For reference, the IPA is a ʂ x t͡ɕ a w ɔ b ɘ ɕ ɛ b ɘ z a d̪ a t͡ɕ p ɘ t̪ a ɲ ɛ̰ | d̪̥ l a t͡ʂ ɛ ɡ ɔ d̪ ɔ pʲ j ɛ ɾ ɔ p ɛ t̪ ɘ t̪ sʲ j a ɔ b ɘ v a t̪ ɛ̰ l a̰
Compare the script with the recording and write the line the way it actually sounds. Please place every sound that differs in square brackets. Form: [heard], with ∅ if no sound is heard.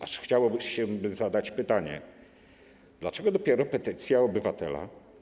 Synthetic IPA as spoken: a ʂ x t͡ɕ a w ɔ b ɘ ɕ ɛ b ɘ z a d̪ a t͡ɕ p ɘ t̪ a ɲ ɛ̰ | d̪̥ l a t͡ʂ ɛ ɡ ɔ d̪ ɔ pʲ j ɛ ɾ ɔ p ɛ t̪ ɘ t̪ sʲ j a ɔ b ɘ v a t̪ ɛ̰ l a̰

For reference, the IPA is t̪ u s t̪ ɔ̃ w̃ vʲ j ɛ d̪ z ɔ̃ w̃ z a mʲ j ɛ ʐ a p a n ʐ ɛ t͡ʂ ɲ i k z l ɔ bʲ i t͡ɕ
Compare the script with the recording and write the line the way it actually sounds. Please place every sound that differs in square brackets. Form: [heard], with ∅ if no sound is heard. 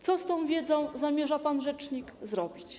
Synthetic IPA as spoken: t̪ [ɔ] s t̪ ɔ̃ w̃ vʲ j ɛ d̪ z ɔ̃ w̃ z a mʲ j ɛ ʐ a p a n ʐ ɛ t͡ʂ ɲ i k z [ɾ] ɔ bʲ i t͡ɕ

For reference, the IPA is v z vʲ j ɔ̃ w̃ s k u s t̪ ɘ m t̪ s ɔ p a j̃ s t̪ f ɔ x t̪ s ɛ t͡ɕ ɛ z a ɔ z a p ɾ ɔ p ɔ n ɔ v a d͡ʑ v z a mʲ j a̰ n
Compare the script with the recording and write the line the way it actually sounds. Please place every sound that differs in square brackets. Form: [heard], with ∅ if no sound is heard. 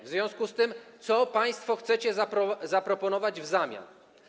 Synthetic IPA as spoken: v z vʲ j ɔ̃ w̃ s k u s t̪ ɘ m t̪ s ɔ p a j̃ s t̪ f ɔ x t̪ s ɛ t͡ɕ ɛ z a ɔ z a p ɾ ɔ p ɔ n ɔ v a d͡ʑ v z a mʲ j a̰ n

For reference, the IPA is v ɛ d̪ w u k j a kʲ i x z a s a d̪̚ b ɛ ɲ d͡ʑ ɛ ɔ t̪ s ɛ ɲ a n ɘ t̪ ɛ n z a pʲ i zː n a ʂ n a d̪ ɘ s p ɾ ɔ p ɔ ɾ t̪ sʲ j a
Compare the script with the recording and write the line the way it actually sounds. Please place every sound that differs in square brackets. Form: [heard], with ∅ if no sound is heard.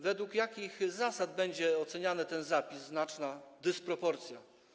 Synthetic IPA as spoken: v ɛ d̪ w u k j a kʲ i x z a s a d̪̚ b ɛ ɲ d͡ʑ ɛ ɔ t̪ s ɛ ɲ a n ɘ t̪ ɛ n z a pʲ i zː n a [t͡ʂ] n a d̪ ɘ s p ɾ ɔ p ɔ ɾ t̪ sʲ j a

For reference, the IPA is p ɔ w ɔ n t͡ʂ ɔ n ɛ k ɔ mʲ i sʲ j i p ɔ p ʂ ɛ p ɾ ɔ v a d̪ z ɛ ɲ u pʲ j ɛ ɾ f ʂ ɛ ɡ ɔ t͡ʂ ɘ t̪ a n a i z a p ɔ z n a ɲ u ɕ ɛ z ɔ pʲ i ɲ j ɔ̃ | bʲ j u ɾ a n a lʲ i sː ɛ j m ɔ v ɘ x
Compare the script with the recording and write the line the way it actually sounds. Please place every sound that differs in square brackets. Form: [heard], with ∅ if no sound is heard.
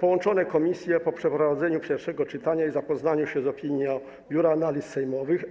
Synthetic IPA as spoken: p ɔ w ɔ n t͡ʂ ɔ n ɛ k ɔ mʲ i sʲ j [ɛ] p ɔ p ʂ ɛ p ɾ ɔ v a d̪ z ɛ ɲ u pʲ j ɛ ɾ f ʂ ɛ ɡ ɔ t͡ʂ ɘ t̪ a [ɲ] a i z a p ɔ z n a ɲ u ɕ ɛ z ɔ pʲ i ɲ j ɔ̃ | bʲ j u ɾ a n a lʲ i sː ɛ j m ɔ v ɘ x

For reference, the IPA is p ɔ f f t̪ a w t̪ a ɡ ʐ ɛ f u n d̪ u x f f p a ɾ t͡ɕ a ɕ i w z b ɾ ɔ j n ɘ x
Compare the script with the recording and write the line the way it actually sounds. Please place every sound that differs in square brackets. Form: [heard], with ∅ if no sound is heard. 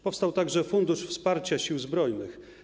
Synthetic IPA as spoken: p ɔ f [s] t̪ a w t̪ a ɡ ʐ ɛ f u n d̪ u [ʂ] f [s] p a ɾ t͡ɕ a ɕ i w z b ɾ ɔ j n ɘ x

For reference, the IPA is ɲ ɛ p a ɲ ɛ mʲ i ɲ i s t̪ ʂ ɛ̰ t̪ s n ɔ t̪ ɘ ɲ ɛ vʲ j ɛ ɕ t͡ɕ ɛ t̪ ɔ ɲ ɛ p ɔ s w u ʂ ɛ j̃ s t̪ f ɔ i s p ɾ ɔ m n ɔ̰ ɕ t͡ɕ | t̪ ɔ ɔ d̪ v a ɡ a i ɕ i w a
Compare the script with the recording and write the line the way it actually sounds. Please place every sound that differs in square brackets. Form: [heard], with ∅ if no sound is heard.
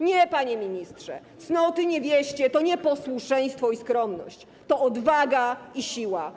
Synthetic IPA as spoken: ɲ ɛ p a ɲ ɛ mʲ i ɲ i s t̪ ʂ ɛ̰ t̪ s n ɔ t̪ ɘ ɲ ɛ vʲ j ɛ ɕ t͡ɕ ɛ t̪ ɔ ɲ ɛ p ɔ s w u ʂ ɛ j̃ s t̪ f ɔ i s [k] ɾ ɔ m n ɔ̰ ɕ t͡ɕ | t̪ ɔ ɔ d̪ v a ɡ a i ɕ i w a

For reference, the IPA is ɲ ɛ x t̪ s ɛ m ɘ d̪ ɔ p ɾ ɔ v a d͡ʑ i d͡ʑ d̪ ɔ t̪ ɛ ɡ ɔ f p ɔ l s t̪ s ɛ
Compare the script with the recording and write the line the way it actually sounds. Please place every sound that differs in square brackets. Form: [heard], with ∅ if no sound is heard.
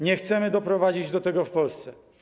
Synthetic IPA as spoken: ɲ ɛ x t̪ s ɛ m ɘ d̪ ɔ p ɾ ɔ v a d͡ʑ i d͡ʑ d̪ ɔ t̪ ɛ ɡ ɔ f p ɔ l s t̪ s ɛ

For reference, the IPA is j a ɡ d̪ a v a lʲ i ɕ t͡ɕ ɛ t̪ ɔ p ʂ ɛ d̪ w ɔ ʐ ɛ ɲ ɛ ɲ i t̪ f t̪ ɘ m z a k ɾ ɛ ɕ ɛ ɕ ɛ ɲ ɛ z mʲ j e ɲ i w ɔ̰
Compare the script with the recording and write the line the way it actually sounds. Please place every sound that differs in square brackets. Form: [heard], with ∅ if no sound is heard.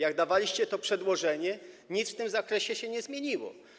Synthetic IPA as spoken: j a ɡ d̪ a v a lʲ i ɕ t͡ɕ ɛ t̪ ɔ p ʂ ɛ d̪ w ɔ ʐ ɛ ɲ ɛ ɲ i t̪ f t̪ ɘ m z a k ɾ ɛ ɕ ɛ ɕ ɛ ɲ ɛ z mʲ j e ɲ i w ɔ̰

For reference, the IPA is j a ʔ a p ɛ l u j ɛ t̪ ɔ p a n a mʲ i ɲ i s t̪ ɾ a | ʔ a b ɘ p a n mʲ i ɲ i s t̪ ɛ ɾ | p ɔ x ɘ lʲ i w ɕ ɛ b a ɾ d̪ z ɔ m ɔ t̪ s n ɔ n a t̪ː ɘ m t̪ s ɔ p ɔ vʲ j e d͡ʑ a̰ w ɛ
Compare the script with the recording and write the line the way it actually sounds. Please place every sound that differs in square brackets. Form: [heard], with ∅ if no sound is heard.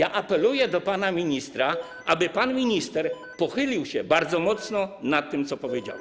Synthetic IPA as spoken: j a ʔ a p ɛ l u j ɛ [d̪] ɔ p a n a mʲ i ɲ i s t̪ ɾ a | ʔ a b ɘ p a n mʲ i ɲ i s t̪ ɛ ɾ | p ɔ x ɘ lʲ i w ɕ ɛ b a ɾ d̪ z ɔ m ɔ t̪ s n ɔ n a t̪ː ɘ m t̪ s ɔ p ɔ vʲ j e d͡ʑ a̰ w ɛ

